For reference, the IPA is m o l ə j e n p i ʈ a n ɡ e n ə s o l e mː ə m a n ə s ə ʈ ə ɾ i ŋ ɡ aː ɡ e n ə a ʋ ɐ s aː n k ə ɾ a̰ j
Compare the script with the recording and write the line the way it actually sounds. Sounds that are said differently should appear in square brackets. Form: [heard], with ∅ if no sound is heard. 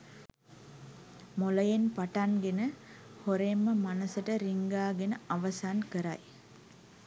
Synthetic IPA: m o l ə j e n p [a] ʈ a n ɡ e n ə [h] o [ɾ] e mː ə m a n ə s ə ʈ ə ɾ i ŋ ɡ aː ɡ e n ə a ʋ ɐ s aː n k ə ɾ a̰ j